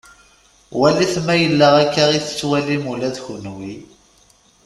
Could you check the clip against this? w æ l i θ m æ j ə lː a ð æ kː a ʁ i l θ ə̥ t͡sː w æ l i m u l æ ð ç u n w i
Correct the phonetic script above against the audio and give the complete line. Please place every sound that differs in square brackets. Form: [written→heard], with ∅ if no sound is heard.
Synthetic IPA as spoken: w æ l i θ m æ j ə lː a [ð→ʁ] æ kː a ʁ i [l→∅] θ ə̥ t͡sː w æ l i m u l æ ð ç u n w i